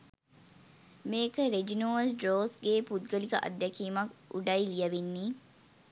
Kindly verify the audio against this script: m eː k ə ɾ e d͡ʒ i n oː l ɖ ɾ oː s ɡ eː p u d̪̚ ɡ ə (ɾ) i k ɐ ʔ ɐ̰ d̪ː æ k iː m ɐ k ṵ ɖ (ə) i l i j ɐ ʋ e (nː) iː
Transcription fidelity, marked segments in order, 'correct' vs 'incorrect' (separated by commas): incorrect, incorrect, correct